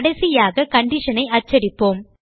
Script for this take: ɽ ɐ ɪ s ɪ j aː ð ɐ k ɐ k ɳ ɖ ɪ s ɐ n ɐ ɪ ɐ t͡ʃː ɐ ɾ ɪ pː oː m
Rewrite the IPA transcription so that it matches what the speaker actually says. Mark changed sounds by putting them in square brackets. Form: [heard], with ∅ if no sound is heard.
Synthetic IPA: ɽ ɐ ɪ s ɪ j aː [ɣ] ɐ k ɐ [∅] ɳ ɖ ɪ [ʂ] ɐ n ɐ ɪ ɐ t͡ʃː ɐ ɾ ɪ pː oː m